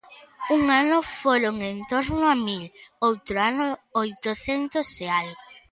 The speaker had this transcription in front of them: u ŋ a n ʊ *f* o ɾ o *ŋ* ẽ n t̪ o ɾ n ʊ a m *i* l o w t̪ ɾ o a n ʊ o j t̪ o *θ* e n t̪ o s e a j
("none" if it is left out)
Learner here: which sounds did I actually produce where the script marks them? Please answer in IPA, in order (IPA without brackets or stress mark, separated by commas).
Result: f, ŋ, i, θ